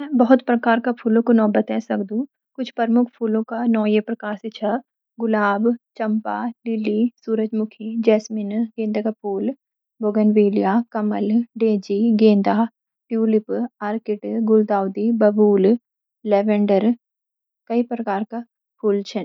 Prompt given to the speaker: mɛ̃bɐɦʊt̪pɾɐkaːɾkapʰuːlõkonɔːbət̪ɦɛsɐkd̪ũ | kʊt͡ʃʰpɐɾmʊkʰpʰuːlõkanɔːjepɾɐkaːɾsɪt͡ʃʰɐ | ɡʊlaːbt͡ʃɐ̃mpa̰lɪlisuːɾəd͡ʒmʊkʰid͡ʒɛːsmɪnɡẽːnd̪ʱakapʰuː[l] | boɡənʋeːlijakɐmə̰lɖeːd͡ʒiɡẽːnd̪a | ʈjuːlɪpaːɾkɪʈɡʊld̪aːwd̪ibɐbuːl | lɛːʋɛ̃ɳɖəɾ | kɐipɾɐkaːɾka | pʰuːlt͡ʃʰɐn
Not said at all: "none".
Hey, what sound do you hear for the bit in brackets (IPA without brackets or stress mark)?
l